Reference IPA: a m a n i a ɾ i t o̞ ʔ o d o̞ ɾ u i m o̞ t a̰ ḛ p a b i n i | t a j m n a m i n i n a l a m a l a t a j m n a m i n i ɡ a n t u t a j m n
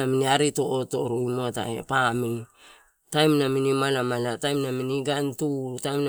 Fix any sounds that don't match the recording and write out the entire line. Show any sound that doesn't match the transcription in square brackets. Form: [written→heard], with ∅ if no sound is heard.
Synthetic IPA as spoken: a m [a→i] n i a ɾ i t o̞ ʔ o [d→t] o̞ ɾ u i m o̞ t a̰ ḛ p a [b→m] i n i | t a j m n a m i n i [n→m] a l a m a l a t a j m n a m i n i ɡ a n t u t a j m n